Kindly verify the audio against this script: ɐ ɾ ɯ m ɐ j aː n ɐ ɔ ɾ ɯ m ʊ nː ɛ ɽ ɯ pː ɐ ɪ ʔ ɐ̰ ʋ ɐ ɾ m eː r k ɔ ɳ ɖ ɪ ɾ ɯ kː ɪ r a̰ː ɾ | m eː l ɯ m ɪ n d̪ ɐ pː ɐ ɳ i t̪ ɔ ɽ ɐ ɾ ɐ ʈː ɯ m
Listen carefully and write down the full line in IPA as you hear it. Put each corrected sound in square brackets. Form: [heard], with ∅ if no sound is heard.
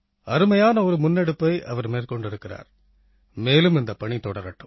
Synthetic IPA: ɐ ɾ ɯ m ɐ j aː n ɐ ɔ ɾ ɯ m ʊ nː ɛ ɽ ɯ pː ɐ ɪ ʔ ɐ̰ ʋ ɐ ɾ m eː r k ɔ ɳ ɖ ɪ ɾ ɯ kː ɪ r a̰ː ɾ | m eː l ɯ m ɪ n d̪ ɐ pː ɐ ɳ i t̪ ɔ ɽ ɐ ɾ ɐ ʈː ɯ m

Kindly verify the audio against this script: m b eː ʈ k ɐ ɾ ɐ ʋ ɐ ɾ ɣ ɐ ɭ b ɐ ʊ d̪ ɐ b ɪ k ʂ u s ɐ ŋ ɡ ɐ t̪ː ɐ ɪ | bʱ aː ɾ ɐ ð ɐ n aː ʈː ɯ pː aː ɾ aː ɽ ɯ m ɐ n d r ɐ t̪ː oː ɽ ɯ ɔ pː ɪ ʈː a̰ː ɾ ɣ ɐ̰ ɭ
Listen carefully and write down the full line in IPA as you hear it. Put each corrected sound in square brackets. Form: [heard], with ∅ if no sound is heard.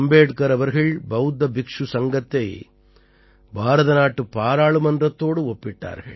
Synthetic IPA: m b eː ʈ k ɐ ɾ ɐ ʋ ɐ ɾ ɣ ɐ ɭ b ɐ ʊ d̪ ɐ b ɪ k ʂ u s ɐ ŋ ɡ ɐ t̪ː ɐ ɪ | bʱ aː ɾ ɐ ð ɐ n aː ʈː ɯ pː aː ɾ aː [ɭ] ɯ m ɐ n d r ɐ t̪ː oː ɽ ɯ ɔ pː ɪ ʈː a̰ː ɾ ɣ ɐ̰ ɭ

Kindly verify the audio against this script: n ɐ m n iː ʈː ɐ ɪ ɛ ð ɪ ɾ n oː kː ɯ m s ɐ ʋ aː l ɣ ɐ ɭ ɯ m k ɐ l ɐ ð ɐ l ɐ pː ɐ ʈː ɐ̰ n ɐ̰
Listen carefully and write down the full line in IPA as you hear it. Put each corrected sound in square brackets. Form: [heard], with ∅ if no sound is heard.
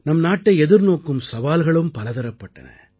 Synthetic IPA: n ɐ m n [aː] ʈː ɐ ɪ ɛ ð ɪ ɾ n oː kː ɯ m s ɐ ʋ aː l ɣ ɐ ɭ ɯ m [p] ɐ l ɐ ð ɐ [ɾ] ɐ pː ɐ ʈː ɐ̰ n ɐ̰

